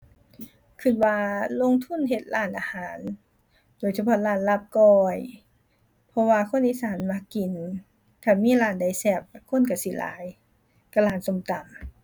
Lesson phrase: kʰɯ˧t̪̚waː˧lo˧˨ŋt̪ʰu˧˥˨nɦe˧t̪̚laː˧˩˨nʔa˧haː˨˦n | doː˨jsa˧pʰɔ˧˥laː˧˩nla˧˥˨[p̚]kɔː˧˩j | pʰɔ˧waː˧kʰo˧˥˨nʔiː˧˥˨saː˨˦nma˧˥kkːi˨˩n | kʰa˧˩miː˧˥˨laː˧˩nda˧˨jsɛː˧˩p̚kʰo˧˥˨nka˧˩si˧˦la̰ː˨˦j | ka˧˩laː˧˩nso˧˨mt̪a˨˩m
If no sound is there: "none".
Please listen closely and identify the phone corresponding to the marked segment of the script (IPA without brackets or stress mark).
p̚